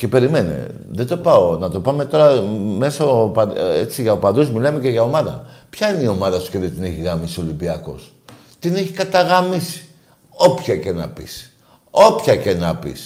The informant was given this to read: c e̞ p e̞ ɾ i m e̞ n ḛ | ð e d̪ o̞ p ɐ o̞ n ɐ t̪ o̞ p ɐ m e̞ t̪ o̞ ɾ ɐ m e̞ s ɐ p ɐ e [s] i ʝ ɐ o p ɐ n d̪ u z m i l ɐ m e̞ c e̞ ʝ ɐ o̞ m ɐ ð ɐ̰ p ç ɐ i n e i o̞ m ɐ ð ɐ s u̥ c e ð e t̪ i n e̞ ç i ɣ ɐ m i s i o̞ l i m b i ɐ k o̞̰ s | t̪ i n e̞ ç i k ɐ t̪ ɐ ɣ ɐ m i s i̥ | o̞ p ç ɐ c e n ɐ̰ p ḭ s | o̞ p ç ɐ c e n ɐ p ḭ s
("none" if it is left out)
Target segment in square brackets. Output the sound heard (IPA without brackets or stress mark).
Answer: t͡s